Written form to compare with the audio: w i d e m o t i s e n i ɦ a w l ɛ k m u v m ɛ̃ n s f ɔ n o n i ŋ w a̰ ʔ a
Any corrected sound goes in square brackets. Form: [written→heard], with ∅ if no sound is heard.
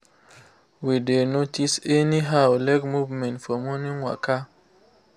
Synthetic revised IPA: w i d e [m→n] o t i s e n i ɦ a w l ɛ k m u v m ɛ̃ n [s→t] f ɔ [n→m] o n i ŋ w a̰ [ʔ→k] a